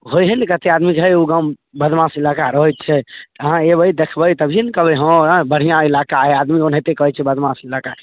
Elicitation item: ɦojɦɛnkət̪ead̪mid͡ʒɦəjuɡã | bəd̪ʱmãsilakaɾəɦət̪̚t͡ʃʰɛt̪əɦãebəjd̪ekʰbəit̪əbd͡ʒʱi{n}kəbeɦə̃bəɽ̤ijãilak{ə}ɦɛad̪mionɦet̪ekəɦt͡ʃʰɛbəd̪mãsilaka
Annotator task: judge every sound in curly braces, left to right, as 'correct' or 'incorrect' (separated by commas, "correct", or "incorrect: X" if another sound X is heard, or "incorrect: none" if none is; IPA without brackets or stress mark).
correct, incorrect: a